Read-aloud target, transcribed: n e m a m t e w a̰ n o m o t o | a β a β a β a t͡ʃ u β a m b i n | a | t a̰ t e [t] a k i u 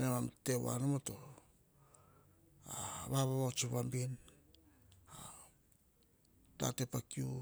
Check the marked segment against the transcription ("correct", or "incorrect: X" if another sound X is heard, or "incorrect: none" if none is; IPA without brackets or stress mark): incorrect: p